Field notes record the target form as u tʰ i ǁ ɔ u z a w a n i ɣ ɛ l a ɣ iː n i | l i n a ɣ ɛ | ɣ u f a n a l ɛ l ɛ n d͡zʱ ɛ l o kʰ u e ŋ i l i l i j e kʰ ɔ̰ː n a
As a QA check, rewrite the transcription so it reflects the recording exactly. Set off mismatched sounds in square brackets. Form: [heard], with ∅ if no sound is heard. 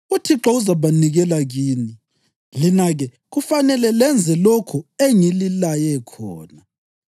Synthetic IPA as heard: u tʰ i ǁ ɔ u z a [β] a n i ɣ ɛ l a ɣ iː n i | l i n a ɣ ɛ | ɣ u f a n [ɛ] l ɛ l ɛ n d͡zʱ ɛ l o kʰ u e ŋ i l i l [a] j [ɛ] kʰ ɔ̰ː n a